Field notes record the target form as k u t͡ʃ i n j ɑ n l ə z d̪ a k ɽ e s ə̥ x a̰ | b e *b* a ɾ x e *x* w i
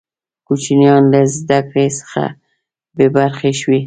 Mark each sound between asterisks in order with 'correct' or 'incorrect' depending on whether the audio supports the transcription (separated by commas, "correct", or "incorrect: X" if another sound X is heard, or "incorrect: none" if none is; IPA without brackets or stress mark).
correct, incorrect: ʃ